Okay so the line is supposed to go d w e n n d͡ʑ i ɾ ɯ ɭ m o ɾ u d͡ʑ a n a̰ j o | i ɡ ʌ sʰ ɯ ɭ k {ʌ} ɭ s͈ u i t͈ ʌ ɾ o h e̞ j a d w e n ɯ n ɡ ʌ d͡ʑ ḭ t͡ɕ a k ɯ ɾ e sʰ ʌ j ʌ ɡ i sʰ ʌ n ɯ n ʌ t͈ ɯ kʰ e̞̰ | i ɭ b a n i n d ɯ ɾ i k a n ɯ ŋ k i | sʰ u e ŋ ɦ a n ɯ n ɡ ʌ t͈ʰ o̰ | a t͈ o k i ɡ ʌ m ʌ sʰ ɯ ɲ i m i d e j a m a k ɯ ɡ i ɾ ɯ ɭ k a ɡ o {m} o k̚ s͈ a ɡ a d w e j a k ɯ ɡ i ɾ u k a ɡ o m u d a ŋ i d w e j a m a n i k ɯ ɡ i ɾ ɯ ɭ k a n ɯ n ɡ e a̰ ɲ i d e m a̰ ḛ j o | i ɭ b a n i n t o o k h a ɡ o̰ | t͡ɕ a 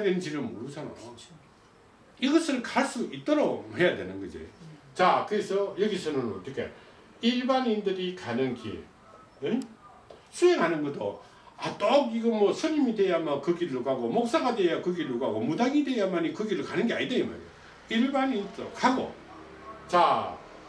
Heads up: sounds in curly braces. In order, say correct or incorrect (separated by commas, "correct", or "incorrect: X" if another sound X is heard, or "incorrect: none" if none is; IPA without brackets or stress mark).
incorrect: a, correct